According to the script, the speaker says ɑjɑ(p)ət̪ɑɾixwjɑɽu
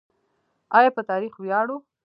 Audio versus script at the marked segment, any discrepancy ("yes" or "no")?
no